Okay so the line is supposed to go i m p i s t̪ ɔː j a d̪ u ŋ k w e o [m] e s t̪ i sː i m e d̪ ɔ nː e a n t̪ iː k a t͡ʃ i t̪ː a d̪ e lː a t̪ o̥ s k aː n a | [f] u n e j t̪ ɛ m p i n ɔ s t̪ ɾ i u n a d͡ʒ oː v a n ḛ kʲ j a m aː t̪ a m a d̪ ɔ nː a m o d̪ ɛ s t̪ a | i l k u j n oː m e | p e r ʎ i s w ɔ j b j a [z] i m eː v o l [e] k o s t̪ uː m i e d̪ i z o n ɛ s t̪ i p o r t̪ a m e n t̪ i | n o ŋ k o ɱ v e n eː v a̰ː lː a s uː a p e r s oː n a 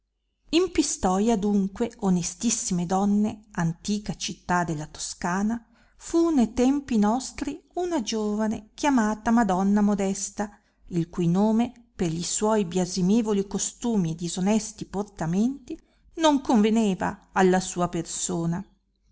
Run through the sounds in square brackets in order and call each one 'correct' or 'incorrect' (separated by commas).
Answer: incorrect, correct, correct, incorrect